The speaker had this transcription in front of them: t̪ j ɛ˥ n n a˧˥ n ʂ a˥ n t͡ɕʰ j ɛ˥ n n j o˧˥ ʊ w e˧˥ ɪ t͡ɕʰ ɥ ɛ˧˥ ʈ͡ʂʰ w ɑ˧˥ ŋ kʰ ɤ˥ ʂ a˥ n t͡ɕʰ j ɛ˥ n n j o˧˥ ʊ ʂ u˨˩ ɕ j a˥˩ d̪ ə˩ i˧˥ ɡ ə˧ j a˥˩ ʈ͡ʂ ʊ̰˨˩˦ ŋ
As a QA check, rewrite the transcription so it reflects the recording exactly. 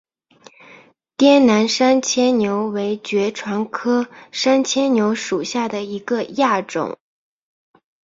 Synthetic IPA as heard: t̪ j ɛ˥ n n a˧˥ n ʂ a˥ n t͡ɕʰ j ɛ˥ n n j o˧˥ ʊ w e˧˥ ɪ t͡ɕ ɥ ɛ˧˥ ʈ͡ʂʰ w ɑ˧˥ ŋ kʰ ɤ˥ ʂ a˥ n t͡ɕʰ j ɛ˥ n n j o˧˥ ʊ ʂ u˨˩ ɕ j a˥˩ d̪ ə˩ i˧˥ ɡ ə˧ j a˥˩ ʈ͡ʂ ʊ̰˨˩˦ ŋ

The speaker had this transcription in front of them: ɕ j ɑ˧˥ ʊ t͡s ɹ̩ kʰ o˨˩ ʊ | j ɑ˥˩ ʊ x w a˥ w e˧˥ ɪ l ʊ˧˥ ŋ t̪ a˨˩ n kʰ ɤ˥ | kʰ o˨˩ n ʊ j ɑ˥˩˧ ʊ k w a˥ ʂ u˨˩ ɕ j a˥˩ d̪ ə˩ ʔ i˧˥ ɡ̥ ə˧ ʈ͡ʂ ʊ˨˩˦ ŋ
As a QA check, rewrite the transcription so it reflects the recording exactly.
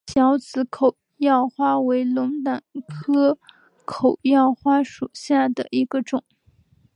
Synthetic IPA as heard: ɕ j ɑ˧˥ ʊ t͡s ɹ̩ kʰ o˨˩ ʊ | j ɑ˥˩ ʊ x w a˥ w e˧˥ ɪ l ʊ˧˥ ŋ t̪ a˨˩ n kʰ ɤ˥ | kʰ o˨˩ ʊ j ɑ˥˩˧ ʊ x w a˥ ʂ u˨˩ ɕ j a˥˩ d̪ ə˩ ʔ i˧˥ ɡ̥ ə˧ ʈ͡ʂ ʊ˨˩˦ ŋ

